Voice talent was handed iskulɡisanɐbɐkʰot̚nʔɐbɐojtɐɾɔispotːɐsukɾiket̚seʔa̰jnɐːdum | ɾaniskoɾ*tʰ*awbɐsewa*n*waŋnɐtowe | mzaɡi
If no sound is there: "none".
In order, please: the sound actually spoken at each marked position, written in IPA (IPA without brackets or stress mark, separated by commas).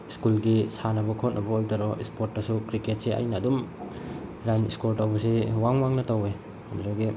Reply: t, ŋ